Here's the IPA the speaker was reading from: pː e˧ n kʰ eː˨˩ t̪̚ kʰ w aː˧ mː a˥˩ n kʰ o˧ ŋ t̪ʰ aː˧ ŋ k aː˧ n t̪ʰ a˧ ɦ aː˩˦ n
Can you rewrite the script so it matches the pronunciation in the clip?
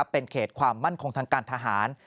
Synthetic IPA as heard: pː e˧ n kʰ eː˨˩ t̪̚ kʰ w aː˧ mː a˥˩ n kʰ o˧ ŋ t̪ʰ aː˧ ŋ k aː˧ n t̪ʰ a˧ ɦ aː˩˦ n